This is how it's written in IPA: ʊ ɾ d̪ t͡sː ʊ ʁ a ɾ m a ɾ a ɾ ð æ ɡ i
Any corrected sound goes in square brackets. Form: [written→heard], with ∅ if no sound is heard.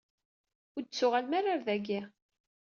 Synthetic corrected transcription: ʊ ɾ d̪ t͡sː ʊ ʁ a [ɾ→l] m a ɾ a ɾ ð æ ɡ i